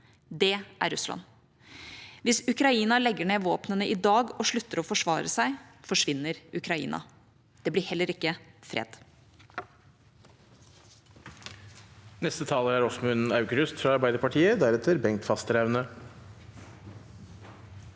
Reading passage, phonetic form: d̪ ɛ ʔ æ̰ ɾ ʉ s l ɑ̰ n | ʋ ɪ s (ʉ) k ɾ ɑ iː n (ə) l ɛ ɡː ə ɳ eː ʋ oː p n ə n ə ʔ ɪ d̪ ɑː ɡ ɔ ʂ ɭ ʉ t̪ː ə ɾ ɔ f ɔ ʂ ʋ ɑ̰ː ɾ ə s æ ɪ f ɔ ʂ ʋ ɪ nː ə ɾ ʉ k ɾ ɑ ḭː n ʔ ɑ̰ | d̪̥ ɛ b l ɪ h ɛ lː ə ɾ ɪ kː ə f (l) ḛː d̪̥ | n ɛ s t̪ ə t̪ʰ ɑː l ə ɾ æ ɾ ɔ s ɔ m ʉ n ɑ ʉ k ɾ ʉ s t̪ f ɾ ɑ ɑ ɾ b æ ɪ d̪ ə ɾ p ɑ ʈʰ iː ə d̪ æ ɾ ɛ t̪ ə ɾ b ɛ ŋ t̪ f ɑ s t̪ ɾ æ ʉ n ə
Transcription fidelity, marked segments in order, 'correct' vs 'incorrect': correct, incorrect: ɑ, incorrect: ɾ

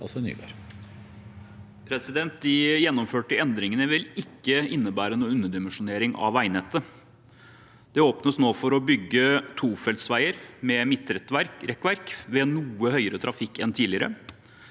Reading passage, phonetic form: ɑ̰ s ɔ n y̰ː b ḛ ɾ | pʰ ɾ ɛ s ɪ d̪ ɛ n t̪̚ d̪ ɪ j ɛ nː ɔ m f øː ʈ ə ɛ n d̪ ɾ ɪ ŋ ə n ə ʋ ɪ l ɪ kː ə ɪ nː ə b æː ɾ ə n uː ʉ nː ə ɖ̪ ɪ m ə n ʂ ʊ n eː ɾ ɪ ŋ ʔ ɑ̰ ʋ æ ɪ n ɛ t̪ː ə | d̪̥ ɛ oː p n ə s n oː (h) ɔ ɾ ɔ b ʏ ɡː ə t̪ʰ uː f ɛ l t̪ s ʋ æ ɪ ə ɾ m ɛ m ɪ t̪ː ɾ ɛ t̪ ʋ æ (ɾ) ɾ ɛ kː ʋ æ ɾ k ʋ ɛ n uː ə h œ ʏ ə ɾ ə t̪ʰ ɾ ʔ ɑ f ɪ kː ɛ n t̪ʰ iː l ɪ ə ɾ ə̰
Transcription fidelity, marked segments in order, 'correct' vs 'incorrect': incorrect: f, correct

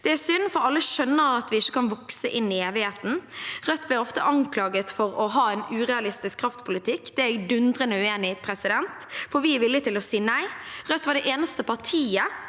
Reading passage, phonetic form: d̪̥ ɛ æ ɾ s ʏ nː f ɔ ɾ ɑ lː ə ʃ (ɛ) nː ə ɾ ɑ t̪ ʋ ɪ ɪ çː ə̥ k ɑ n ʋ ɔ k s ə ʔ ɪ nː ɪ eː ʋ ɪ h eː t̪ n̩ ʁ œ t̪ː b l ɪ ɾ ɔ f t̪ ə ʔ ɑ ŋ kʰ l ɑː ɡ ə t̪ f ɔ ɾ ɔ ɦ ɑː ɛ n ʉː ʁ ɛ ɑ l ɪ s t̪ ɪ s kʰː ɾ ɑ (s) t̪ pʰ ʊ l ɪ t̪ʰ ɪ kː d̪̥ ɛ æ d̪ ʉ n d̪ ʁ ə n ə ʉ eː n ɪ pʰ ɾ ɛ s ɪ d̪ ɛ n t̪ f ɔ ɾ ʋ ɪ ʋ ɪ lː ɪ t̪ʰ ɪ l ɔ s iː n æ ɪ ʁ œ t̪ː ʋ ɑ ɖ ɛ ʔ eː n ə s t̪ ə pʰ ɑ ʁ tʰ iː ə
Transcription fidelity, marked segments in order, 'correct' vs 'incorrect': incorrect: œ, incorrect: f

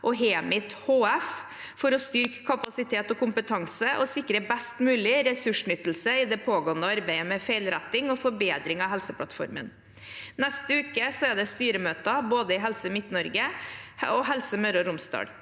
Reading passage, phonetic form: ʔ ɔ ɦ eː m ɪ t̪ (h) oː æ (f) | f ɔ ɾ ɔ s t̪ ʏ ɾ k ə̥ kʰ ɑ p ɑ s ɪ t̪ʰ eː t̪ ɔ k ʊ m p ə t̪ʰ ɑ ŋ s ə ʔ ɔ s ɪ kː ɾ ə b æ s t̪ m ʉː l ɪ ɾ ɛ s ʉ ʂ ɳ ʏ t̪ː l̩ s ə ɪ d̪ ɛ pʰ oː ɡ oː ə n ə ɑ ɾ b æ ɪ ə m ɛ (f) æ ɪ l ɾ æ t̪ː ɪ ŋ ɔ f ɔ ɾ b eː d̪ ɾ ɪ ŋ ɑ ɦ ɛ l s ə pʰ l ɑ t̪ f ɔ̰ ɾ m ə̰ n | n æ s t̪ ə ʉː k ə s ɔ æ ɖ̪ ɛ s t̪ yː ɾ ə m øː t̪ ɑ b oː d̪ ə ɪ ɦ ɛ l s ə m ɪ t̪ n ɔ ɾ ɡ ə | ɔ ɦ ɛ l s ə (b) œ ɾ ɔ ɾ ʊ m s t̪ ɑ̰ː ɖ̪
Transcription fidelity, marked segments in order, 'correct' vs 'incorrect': correct, correct, correct, incorrect: m

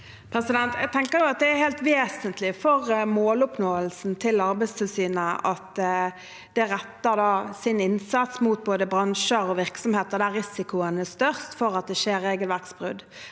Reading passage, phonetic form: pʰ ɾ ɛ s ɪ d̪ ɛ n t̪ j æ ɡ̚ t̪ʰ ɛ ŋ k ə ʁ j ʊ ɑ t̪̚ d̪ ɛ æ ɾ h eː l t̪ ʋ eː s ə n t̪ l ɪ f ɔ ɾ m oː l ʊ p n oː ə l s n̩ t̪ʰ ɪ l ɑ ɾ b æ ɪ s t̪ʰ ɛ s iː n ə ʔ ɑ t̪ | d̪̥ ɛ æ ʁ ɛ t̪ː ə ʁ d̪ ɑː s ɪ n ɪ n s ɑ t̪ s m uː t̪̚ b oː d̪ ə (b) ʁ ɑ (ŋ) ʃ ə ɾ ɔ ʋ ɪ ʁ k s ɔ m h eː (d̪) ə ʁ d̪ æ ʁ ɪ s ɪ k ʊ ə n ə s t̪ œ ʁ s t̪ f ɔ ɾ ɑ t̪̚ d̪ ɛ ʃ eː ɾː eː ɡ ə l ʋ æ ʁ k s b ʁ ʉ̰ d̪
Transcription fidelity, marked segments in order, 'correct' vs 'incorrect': correct, incorrect: n, incorrect: t̪

